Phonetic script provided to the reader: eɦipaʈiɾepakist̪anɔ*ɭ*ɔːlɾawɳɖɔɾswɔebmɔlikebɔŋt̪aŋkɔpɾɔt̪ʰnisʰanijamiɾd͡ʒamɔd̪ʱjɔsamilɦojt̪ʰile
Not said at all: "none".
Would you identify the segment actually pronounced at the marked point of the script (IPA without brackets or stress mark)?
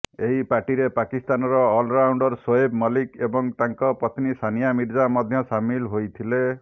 ɾ